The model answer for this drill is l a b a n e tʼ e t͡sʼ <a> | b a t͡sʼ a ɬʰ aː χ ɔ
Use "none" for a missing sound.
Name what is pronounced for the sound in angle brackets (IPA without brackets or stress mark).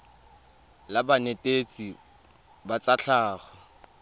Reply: i